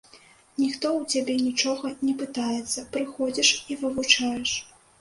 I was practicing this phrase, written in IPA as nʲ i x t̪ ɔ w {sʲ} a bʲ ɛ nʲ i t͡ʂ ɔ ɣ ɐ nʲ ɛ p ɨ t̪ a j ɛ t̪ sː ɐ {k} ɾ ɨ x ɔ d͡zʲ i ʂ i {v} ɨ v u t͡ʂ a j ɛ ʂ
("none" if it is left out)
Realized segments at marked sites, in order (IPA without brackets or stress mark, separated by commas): t͡sʲ, p, v